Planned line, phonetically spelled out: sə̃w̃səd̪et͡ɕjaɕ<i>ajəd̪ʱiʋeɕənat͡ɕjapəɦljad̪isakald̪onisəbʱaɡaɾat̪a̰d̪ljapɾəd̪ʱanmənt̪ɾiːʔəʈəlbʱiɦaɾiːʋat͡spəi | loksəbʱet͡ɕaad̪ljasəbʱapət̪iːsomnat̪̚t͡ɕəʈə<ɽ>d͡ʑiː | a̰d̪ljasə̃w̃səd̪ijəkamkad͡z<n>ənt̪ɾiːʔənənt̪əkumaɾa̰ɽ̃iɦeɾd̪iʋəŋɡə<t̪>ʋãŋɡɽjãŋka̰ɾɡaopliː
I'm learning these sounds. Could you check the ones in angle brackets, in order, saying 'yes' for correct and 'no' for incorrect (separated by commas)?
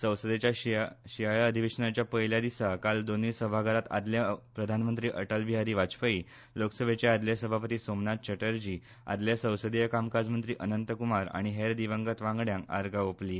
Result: yes, no, no, yes